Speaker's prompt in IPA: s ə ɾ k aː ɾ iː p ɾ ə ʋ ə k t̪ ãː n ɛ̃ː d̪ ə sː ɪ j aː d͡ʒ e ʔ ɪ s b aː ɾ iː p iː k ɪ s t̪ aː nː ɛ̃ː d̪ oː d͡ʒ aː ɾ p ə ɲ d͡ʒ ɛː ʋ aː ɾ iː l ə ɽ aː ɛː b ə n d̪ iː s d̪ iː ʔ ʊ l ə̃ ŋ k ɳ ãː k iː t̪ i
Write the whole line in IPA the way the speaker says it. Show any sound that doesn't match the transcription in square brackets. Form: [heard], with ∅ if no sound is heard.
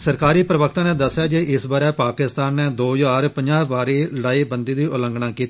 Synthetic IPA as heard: s ə ɾ k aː ɾ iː p ɾ ə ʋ ə k t̪ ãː n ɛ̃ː d̪ ə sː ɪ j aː d͡ʒ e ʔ ɪ s b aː ɾ [ɛː] p [aː] k ɪ s t̪ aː nː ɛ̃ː d̪ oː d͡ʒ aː ɾ p ə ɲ d͡ʒ [aː] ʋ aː ɾ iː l ə ɽ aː [iː] b ə n d̪ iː [∅] d̪ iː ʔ ʊ l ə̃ ŋ [ɡ] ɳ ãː k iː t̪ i